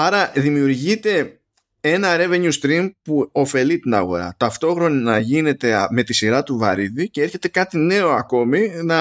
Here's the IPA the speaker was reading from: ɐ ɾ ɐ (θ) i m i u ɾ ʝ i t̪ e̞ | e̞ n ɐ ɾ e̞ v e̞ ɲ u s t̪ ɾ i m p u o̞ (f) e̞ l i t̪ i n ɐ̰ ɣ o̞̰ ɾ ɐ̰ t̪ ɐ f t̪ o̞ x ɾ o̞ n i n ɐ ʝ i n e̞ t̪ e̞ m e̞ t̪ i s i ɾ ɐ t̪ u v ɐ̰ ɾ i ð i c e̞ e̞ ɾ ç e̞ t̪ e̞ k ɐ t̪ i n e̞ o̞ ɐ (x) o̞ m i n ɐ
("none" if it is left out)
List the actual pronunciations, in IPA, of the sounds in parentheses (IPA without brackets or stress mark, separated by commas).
ð, f, k